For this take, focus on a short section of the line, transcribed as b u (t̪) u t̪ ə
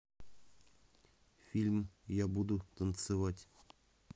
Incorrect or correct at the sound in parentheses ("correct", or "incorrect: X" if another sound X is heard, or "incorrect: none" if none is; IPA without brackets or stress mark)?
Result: incorrect: d̪